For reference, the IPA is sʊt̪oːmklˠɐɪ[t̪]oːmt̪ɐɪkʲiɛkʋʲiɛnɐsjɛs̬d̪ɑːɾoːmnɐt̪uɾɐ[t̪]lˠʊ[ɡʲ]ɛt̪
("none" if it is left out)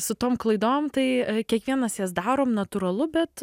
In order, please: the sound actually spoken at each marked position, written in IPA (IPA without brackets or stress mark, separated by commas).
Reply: d̪, none, bʲ